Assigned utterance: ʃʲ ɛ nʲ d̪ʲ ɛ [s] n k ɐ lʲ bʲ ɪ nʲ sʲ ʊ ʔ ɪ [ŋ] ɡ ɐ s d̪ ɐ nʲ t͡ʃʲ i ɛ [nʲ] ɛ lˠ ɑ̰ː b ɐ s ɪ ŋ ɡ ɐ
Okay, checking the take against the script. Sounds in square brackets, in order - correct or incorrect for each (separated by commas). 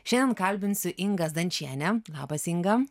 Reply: incorrect, correct, correct